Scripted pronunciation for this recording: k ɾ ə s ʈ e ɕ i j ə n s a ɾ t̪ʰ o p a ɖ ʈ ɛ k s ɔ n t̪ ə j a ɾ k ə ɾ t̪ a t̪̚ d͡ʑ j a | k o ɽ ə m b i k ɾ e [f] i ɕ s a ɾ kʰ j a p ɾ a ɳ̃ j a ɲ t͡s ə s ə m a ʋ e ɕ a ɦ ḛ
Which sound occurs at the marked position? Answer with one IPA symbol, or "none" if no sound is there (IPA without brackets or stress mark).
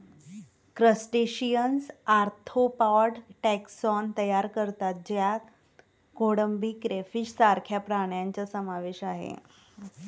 f